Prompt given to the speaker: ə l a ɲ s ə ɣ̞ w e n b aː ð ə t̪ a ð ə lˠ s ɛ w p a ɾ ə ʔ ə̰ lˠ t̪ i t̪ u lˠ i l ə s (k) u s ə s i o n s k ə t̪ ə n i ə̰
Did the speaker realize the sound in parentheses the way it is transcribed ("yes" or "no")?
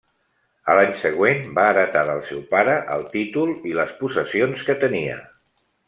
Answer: no